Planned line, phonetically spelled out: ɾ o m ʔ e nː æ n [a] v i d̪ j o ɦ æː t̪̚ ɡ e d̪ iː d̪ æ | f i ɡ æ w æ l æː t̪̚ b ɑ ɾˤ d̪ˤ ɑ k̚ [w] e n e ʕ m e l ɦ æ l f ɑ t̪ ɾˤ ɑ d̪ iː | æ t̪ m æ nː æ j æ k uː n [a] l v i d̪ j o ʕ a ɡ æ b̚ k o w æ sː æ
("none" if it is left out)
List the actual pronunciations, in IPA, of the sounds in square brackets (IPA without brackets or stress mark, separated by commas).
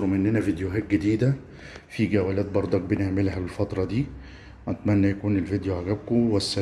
æ, b, e